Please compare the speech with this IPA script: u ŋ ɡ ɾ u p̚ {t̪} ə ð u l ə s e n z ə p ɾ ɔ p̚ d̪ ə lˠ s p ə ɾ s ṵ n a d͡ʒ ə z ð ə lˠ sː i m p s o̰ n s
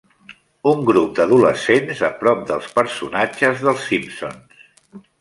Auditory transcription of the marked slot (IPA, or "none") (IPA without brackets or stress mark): d̪